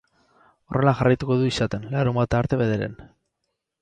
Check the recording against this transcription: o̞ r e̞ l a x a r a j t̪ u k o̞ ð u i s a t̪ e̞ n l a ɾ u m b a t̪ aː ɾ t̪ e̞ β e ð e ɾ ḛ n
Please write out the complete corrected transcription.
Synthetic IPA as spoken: o̞ r e̞ l a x a r a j t̪ u k o̞ ð u i s a t̪ e̞ n l a ɾ u m b a t̪ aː ɾ t̪ e̞ β e ð e ɾ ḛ n